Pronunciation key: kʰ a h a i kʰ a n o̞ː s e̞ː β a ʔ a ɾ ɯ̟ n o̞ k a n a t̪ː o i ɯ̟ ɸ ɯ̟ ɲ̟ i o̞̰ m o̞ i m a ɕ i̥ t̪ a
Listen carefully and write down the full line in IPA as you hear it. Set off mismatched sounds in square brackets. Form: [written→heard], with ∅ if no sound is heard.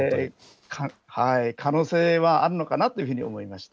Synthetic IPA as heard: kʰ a h a i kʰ a n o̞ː s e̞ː β a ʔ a ɾ ɯ̟ n o̞ k a n a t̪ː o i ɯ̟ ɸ ɯ̟ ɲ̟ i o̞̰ m o̞ i m a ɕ i̥ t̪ a